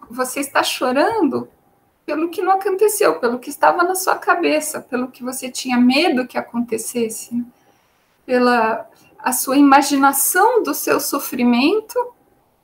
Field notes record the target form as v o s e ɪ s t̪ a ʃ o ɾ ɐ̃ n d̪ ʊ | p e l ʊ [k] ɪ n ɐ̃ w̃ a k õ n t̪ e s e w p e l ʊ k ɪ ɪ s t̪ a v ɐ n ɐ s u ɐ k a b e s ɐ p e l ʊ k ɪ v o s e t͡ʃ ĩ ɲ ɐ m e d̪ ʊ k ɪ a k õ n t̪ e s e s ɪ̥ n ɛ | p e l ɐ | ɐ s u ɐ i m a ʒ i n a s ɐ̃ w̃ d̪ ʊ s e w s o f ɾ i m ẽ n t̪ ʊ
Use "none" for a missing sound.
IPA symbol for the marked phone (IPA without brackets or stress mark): k